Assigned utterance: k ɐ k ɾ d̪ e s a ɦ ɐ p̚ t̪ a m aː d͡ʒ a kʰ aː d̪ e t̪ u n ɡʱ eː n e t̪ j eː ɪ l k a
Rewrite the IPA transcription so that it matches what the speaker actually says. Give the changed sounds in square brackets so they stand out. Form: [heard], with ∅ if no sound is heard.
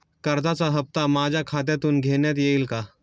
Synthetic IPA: k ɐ [∅] ɾ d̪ [a] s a ɦ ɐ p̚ t̪ a m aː d͡ʒ a kʰ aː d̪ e t̪ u n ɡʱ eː n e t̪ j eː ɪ l k a